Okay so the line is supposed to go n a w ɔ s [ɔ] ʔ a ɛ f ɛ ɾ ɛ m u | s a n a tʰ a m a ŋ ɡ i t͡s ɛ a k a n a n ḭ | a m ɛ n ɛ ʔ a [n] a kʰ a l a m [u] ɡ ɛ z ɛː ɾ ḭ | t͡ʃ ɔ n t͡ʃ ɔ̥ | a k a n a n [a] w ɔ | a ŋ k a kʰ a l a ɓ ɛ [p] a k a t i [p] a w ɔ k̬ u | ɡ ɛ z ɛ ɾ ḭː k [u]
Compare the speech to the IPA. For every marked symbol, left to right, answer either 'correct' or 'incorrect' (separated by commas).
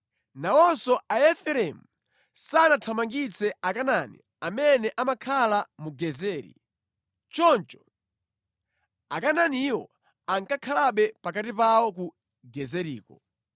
correct, incorrect, correct, incorrect, correct, correct, incorrect